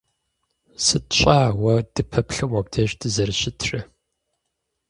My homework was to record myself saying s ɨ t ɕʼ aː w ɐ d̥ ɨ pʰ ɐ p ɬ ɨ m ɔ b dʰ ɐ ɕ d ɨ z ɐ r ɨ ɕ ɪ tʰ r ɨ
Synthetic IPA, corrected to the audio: s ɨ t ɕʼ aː w ɐ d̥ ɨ pʰ ɐ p ɬ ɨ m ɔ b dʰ ɐ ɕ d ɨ z ɐ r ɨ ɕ ɪ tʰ r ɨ

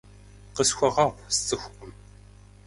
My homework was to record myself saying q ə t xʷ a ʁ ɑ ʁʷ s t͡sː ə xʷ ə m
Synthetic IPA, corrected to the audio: q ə s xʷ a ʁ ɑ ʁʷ s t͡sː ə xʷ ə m

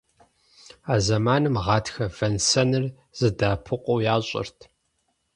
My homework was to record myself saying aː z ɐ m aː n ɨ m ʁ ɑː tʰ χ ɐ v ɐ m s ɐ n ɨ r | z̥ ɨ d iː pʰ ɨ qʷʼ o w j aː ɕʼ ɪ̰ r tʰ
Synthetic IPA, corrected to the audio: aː z ɐ m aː n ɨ m ʁ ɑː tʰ x ɐ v ɐ n s ɐ n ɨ r | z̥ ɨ d aː pʰ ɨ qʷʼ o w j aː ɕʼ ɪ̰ r tʰ

